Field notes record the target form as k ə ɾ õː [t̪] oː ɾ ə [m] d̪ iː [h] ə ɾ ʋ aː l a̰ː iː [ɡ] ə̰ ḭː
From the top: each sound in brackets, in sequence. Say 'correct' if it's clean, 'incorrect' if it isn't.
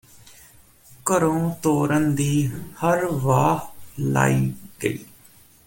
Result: correct, incorrect: n, correct, correct

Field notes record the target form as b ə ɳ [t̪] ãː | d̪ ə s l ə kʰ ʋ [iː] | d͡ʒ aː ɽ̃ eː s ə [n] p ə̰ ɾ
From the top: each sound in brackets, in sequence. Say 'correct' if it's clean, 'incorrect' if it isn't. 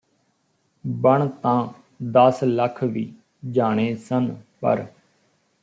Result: correct, correct, correct

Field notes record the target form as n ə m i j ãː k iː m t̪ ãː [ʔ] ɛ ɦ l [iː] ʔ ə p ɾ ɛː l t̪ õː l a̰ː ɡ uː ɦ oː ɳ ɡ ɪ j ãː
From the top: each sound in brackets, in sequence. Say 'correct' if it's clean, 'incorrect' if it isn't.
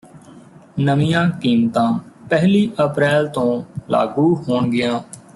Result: incorrect: p, correct

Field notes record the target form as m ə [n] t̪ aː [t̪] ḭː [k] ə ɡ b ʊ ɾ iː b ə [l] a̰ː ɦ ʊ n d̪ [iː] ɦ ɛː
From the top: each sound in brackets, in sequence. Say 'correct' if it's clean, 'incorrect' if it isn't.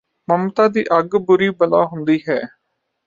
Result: incorrect: m, incorrect: d̪, incorrect: ʔ, correct, correct

